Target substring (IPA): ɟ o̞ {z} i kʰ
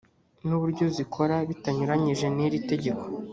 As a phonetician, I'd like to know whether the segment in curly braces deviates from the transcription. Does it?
no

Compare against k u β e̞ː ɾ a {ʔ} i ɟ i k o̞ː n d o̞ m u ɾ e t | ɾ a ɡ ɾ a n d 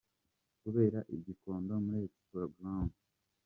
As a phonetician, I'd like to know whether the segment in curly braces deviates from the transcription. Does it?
no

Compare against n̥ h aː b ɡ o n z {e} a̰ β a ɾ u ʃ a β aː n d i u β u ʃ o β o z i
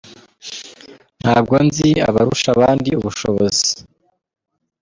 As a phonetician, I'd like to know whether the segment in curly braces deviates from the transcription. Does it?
yes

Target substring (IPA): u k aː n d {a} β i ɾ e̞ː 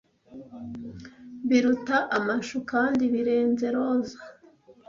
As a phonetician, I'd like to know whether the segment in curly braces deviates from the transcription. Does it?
yes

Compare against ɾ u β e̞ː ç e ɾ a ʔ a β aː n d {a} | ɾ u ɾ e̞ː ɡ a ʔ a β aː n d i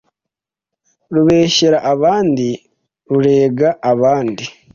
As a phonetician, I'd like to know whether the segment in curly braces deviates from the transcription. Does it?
yes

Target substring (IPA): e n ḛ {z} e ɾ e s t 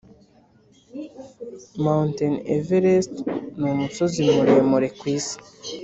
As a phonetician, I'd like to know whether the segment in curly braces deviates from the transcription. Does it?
yes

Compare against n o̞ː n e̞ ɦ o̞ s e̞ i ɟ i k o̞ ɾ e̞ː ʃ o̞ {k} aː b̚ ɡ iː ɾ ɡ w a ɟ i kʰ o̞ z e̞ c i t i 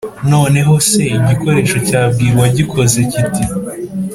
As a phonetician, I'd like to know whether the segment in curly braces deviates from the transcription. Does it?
yes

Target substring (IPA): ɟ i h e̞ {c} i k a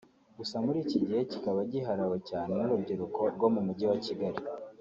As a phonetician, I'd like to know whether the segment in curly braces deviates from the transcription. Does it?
no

